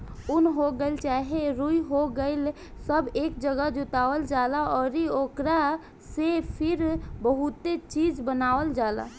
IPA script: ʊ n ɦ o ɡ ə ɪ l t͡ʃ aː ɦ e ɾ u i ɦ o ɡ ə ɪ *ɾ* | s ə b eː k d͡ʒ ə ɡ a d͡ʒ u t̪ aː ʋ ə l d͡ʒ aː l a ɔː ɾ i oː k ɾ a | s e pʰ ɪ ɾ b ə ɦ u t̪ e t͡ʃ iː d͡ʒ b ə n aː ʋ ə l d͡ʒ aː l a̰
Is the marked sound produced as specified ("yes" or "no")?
no